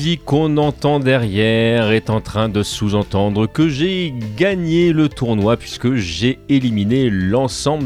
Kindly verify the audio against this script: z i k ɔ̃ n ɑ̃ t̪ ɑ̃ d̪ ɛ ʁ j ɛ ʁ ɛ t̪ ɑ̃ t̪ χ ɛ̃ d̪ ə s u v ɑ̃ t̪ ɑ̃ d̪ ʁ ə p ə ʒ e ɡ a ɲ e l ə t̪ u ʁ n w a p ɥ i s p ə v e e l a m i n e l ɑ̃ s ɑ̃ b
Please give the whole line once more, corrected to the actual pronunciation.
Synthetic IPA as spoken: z i k ɔ̃ n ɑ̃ t̪ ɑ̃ d̪ ɛ ʁ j ɛ ʁ ɛ t̪ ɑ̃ t̪ χ ɛ̃ d̪ ə s u z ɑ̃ t̪ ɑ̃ d̪ ʁ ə k ə ʒ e ɡ a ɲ e l ə t̪ u ʁ n w a p ɥ i s k ə ʒ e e l i m i n e l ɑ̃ s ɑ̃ b